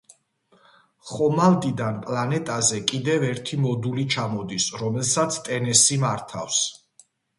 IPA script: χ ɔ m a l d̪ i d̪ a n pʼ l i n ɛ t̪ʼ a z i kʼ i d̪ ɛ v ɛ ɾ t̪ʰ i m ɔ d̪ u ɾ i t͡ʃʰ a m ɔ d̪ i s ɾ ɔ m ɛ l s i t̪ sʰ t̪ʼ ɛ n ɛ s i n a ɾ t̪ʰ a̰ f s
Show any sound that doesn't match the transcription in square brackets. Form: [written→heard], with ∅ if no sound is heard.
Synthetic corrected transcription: χ ɔ m a l d̪ i d̪ a n pʼ l [i→a] n ɛ t̪ʼ a z [i→ɛ] kʼ i d̪ ɛ v ɛ ɾ t̪ʰ i m ɔ d̪ u [ɾ→l] i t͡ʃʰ a m ɔ d̪ i s ɾ ɔ m ɛ l s [i→a] t̪ sʰ t̪ʼ ɛ n ɛ s i [n→m] a ɾ t̪ʰ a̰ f s